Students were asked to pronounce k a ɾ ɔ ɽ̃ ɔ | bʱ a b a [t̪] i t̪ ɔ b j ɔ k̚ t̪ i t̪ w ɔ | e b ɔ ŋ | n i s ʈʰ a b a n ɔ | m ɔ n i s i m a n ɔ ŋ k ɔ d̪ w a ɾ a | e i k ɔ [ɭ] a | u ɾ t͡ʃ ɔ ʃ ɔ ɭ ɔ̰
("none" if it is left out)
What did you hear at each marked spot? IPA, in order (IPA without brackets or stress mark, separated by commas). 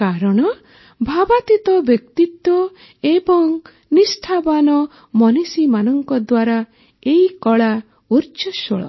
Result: t̪, ɭ